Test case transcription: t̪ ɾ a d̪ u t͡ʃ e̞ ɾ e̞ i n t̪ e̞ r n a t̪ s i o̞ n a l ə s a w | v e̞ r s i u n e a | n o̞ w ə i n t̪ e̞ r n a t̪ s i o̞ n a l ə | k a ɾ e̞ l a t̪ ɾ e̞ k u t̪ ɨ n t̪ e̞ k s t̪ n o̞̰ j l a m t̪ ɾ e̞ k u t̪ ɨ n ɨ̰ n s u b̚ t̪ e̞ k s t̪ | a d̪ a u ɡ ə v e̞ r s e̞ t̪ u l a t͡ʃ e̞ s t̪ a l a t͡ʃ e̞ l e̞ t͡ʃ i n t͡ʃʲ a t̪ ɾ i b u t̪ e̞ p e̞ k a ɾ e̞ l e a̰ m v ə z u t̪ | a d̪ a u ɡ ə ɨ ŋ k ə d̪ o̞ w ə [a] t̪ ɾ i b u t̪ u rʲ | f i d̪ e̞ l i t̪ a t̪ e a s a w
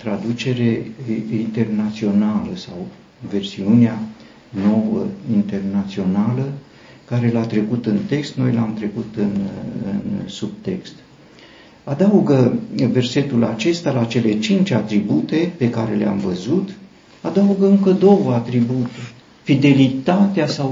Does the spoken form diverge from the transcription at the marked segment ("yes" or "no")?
no